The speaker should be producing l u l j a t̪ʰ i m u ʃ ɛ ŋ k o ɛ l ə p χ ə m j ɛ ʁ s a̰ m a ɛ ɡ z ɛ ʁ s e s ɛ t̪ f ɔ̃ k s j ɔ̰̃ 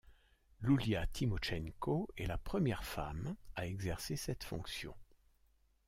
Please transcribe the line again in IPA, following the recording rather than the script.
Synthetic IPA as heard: l u l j a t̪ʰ i m ɔ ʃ ɛ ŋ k o ɛ l a p χ ə m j ɛ ʁ f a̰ m a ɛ ɡ z ɛ ʁ s e s ɛ t̪ f ɔ̃ k s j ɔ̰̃